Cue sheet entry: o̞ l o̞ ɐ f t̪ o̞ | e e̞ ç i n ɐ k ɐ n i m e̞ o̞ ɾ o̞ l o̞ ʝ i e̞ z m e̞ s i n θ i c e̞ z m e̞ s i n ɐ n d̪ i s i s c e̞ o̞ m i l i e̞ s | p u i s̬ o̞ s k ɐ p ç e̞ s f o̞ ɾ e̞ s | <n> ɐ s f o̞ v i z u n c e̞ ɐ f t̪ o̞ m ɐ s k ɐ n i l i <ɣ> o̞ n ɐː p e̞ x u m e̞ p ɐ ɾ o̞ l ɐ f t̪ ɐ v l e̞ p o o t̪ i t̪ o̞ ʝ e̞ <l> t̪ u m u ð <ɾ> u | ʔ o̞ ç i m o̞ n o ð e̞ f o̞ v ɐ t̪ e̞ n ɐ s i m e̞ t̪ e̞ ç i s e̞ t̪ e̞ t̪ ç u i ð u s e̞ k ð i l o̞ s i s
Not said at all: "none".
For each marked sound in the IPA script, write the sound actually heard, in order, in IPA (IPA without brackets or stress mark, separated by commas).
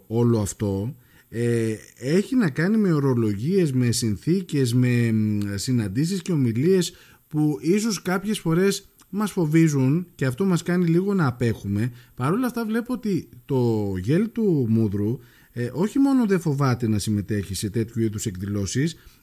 m, ɣ, l, ɾ